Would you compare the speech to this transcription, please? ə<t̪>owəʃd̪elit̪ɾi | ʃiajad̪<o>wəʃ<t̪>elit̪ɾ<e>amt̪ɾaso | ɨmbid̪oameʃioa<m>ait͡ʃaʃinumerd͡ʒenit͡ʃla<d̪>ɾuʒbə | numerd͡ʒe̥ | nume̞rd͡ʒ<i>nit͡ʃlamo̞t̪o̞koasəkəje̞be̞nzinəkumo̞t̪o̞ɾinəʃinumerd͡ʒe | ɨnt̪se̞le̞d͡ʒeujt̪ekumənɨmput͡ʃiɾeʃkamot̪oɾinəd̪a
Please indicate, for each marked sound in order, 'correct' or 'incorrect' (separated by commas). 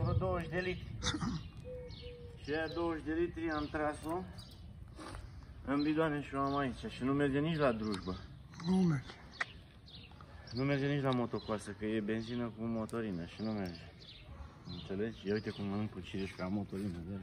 incorrect, correct, incorrect, incorrect, correct, correct, incorrect